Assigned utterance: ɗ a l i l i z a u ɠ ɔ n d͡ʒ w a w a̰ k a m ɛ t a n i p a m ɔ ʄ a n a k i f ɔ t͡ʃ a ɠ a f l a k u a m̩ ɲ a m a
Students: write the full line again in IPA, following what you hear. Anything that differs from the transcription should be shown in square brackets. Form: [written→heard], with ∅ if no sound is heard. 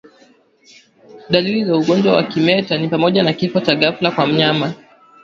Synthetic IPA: ɗ a l i l i z a u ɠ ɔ n d͡ʒ w a w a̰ k [a→i] m ɛ t a n i p a m ɔ ʄ a n a k i f ɔ t͡ʃ a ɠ a f l a k [u→w] a m̩ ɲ a m a

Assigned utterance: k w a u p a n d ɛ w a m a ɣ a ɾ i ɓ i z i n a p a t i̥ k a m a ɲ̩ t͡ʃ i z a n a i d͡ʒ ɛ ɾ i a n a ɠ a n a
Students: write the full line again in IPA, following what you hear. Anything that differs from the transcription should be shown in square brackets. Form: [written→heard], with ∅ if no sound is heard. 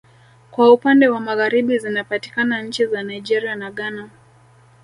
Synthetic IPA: k w a u p a n d ɛ w a m a ɣ a ɾ i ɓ i z i n a p a t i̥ k a [m→n] a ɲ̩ t͡ʃ i z a n a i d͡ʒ ɛ ɾ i a n a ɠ a n a

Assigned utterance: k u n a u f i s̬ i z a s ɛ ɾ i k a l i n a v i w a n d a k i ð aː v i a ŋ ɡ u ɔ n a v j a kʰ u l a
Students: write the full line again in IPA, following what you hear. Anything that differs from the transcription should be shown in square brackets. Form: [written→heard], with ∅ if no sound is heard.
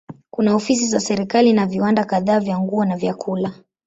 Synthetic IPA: k u n a [u→ɔ] f i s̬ i z a s ɛ ɾ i k a l i n a v i w a n d a k [i→a] ð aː v [i→j] a ŋ ɡ u ɔ n a v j a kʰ u l a

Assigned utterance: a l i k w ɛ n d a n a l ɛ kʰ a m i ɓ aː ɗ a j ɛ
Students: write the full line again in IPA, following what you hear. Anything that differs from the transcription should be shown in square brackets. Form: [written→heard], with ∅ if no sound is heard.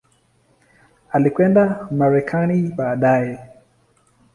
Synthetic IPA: a l i k w ɛ n d a [n→m] a [l→ɾ] ɛ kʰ a [m→n] i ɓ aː ɗ a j ɛ

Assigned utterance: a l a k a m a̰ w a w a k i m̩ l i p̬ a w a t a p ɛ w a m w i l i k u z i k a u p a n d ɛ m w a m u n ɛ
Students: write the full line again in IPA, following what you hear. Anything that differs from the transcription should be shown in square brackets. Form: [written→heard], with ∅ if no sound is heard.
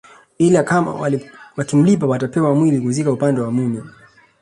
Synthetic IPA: [a→i] l a k a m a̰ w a w a k i m̩ l i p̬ a w a t a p ɛ w a m w i l i k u z i k a u p a n d ɛ [m→∅] w a m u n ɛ

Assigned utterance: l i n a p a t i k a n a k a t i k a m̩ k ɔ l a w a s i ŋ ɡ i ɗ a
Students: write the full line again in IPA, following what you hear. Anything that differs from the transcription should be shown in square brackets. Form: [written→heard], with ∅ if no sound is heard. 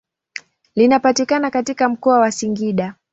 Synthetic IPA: l i n a p a t i k a n a k a t i k a m̩ k ɔ [l→∅] a w a s i ŋ ɡ i ɗ a

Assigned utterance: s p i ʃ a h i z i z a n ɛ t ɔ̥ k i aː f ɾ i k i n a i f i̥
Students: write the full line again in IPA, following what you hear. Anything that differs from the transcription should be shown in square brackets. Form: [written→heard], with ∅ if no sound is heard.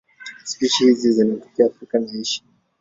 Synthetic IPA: s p i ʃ [a→i] h i z i z [a→i] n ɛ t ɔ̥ k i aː f ɾ i k [i→a] n a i [f→ʃ] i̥

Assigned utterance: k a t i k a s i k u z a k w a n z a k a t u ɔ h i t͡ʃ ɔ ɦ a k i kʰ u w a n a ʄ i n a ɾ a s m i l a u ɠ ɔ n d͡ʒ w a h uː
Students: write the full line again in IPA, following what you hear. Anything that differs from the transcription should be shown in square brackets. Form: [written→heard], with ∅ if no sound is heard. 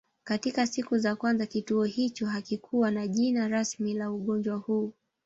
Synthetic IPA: k a t i k a s i k u z a k w a n z a k [a→i] t u ɔ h i t͡ʃ ɔ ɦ a k i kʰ u w a n a ʄ i n a ɾ a s m i l a u ɠ ɔ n d͡ʒ w a h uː

